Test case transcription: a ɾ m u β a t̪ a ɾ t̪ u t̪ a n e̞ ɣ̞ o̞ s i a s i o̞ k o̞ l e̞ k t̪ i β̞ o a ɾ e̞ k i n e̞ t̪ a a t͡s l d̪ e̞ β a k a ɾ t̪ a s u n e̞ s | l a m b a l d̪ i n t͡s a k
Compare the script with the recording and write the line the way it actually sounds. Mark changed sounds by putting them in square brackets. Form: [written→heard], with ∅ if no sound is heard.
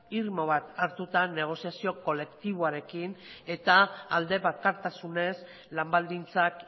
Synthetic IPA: [a→i] ɾ m [u→o] β a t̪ a ɾ t̪ u t̪ a n e̞ ɣ̞ o̞ s i a s i o̞ k o̞ l e̞ k t̪ i β̞ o a ɾ e̞ k i n e̞ t̪ a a [t͡s→∅] l d̪ e̞ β a k a ɾ t̪ a s u n e̞ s | l a m b a l d̪ i n t͡s a k